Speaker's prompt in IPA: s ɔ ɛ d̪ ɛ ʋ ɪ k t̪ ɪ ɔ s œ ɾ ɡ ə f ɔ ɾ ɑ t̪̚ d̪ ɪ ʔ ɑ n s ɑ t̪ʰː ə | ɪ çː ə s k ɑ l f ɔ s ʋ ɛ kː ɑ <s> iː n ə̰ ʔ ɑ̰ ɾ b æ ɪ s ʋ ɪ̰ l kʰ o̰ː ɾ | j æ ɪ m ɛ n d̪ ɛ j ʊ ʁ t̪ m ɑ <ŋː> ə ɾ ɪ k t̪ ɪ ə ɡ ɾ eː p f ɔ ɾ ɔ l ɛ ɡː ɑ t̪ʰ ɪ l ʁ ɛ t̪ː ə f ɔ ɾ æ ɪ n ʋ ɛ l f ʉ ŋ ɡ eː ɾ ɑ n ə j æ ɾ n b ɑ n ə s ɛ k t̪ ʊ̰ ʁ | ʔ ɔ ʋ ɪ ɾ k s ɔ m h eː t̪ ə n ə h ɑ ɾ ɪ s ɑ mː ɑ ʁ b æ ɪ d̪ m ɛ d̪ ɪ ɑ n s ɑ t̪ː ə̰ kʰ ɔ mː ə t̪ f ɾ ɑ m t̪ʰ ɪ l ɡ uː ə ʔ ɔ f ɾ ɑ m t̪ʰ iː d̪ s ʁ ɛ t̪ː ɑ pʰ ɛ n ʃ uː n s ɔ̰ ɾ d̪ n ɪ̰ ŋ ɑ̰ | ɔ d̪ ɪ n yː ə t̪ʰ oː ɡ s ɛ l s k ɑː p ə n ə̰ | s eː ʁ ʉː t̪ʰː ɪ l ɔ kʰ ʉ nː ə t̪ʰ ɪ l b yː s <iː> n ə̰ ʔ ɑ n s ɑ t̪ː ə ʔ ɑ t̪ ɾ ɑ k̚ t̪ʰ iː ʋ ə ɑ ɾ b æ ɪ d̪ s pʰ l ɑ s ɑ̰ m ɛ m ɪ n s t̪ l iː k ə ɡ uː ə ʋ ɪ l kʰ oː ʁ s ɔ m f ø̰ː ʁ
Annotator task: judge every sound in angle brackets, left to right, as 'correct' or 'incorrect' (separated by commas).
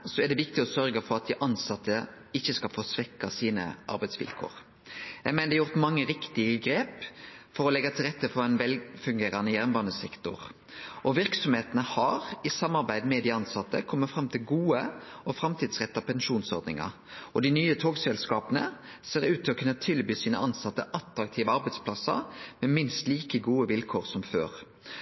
correct, correct, correct